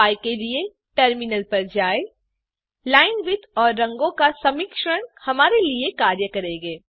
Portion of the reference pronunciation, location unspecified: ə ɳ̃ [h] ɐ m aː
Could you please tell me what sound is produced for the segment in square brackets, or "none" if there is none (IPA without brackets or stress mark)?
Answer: h